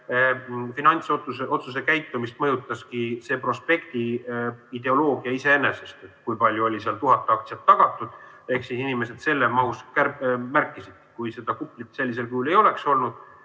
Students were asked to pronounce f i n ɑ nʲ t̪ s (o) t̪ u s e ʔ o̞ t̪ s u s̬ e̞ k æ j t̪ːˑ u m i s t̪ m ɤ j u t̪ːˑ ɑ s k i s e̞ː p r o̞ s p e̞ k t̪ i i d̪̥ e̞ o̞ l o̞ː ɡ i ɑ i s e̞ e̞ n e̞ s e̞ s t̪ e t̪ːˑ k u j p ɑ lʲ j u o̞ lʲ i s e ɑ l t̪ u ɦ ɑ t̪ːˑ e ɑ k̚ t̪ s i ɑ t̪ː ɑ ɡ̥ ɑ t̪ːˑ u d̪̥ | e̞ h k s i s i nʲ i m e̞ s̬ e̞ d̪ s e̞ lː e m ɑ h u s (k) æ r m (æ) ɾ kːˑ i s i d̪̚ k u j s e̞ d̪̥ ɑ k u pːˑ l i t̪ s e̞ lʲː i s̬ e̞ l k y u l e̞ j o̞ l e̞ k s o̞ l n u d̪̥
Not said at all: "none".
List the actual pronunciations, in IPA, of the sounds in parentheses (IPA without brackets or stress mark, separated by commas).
o, k, æ